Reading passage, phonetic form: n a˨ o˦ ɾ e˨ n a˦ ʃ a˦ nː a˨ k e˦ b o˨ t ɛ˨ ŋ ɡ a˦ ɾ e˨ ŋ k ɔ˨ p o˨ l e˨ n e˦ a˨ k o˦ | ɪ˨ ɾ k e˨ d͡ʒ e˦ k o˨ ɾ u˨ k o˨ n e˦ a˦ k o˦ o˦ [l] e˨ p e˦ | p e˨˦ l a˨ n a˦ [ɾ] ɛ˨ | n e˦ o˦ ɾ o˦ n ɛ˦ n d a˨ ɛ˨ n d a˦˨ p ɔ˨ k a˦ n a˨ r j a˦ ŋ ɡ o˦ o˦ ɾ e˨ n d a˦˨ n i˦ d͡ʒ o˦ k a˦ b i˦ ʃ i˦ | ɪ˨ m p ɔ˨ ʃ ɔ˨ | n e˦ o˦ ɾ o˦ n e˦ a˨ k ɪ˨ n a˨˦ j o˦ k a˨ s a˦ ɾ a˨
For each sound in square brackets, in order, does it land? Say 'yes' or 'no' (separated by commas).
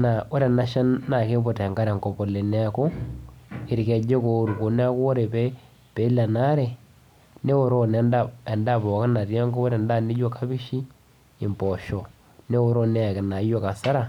no, yes